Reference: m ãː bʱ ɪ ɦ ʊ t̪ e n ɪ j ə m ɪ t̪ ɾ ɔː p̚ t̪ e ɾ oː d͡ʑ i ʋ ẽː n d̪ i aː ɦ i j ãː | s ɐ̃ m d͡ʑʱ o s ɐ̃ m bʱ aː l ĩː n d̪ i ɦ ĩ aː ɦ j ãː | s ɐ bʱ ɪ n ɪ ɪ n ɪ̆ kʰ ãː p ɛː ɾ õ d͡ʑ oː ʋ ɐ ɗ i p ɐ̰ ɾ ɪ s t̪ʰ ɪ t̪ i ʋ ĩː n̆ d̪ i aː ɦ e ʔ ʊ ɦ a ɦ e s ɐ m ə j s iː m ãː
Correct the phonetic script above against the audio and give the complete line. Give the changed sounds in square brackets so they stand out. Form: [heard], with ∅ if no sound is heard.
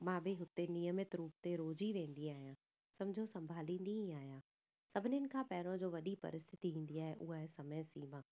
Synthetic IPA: m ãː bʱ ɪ ɦ ʊ t̪ e n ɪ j ə m ɪ t̪ ɾ [uː] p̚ t̪ e ɾ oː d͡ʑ i ʋ ẽː n d̪ i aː ɦ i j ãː | s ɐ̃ m d͡ʑʱ o s ɐ̃ m bʱ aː l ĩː n d̪ i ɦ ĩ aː ɦ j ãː | s ɐ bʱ ɪ n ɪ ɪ n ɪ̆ kʰ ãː p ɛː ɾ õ d͡ʑ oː ʋ ɐ ɗ i p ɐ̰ ɾ ɪ s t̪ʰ ɪ t̪ i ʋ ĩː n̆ d̪ i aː ɦ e ʔ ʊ ɦ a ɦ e s ɐ m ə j s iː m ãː

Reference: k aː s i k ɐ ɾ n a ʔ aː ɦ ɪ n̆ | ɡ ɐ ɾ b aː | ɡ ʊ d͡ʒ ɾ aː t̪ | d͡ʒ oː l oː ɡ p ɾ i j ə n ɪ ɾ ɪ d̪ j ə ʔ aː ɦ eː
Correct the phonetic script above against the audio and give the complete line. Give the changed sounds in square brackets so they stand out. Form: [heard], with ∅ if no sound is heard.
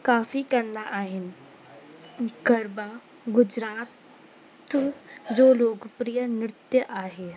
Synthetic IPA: k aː [f] i k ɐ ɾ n a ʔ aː ɦ ɪ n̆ | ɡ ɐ ɾ b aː | ɡ ʊ d͡ʒ ɾ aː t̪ | d͡ʒ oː l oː ɡ p ɾ i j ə n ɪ ɾ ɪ [t̪] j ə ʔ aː ɦ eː

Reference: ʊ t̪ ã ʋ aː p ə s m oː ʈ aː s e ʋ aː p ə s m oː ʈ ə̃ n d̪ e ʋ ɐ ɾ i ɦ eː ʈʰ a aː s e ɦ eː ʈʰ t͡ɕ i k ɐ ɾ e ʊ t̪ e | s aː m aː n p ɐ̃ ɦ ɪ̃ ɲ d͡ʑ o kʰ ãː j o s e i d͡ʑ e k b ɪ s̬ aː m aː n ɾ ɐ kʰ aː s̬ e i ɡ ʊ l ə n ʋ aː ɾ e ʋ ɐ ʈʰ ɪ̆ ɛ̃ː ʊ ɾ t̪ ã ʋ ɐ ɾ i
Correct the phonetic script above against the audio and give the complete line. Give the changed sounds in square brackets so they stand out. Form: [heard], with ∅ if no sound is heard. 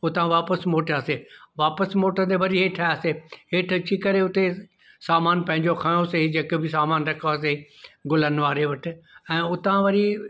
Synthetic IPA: ʊ t̪ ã ʋ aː p ə s m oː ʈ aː s e ʋ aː p ə s m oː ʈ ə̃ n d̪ e ʋ ɐ ɾ i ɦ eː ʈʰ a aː s e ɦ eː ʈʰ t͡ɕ i k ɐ ɾ e ʊ t̪ e | s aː m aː n p ɐ̃ ɦ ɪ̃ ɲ d͡ʑ o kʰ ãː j o s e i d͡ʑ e k b ɪ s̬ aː m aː n ɾ ɐ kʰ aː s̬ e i ɡ ʊ l ə n ʋ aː ɾ e ʋ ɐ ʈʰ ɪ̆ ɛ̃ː ʊ [∅] t̪ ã ʋ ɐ ɾ i

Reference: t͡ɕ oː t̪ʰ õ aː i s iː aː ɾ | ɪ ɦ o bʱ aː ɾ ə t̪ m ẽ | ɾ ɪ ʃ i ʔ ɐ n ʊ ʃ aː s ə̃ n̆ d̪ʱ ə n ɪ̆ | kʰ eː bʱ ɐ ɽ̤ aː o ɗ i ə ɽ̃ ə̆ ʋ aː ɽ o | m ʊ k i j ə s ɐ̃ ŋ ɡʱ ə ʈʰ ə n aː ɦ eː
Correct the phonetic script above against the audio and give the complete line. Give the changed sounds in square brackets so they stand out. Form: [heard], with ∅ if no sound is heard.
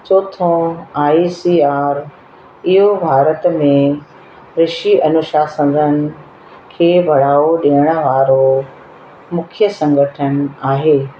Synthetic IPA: t͡ɕ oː t̪ʰ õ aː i s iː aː ɾ | ɪ ɦ o bʱ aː ɾ ə t̪ m ẽ | ɾ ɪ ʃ i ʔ ɐ n ʊ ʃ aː s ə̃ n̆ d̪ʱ ə n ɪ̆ | kʰ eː bʱ ɐ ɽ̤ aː o ɗ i ə ɽ̃ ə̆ ʋ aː [ɾ] o | m ʊ [kʰ] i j ə s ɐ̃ ŋ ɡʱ ə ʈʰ ə n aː ɦ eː

